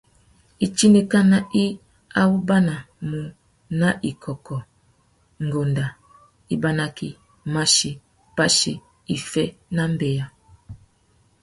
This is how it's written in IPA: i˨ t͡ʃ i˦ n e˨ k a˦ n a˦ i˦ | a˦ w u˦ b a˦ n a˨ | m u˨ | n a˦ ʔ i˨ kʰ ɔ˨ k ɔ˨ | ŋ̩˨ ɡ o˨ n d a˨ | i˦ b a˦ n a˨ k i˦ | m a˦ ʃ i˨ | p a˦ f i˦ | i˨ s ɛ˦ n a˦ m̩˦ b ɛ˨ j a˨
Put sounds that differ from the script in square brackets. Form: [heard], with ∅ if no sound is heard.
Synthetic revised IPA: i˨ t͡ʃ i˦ n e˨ k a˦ n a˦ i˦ | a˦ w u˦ b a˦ n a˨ | m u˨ | n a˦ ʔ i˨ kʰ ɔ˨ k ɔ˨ | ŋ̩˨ ɡ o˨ n d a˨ | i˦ b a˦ n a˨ k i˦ | m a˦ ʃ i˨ | p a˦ [ʃ] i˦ | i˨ [f] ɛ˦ n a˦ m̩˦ b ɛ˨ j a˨